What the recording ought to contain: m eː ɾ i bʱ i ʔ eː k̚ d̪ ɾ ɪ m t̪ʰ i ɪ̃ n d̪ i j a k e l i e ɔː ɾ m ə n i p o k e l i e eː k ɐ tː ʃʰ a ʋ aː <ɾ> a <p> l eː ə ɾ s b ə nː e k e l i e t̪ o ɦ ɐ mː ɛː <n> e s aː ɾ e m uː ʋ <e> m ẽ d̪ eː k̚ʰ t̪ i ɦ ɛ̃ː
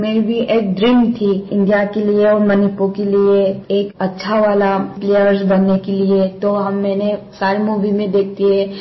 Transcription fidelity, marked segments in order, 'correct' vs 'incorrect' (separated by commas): incorrect, correct, correct, incorrect